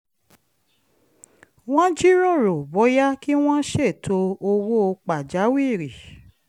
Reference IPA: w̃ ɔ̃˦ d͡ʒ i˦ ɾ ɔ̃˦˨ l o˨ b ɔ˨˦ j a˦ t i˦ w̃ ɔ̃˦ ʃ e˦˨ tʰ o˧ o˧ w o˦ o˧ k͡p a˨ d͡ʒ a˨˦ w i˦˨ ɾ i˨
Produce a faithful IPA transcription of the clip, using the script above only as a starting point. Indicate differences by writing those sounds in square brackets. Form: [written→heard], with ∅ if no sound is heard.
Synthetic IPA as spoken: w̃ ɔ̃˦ d͡ʒ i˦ ɾ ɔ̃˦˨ [l→ɾ] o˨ b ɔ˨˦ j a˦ [t→k] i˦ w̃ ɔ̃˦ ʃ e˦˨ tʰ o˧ o˧ w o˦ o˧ k͡p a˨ d͡ʒ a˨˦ w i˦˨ ɾ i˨